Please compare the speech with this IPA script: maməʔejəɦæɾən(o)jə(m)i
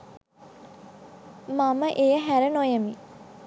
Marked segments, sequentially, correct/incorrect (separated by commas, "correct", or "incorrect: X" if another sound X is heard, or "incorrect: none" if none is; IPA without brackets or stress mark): correct, correct